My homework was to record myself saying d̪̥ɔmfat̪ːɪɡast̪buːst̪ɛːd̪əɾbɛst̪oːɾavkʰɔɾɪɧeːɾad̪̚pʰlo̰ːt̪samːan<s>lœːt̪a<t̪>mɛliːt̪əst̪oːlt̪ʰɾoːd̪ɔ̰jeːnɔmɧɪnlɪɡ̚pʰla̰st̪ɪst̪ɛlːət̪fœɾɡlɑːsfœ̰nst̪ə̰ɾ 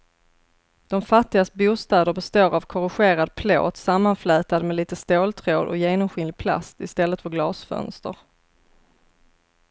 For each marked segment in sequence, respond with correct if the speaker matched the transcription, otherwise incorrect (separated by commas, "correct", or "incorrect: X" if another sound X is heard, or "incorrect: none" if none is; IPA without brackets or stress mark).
incorrect: f, incorrect: d̪